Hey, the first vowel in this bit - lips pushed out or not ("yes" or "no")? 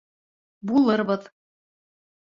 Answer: yes